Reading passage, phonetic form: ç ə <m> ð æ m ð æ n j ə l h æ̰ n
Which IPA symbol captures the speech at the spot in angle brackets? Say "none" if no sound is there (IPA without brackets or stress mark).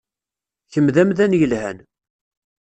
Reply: m